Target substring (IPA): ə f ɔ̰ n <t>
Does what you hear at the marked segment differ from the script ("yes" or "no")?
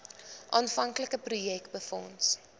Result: yes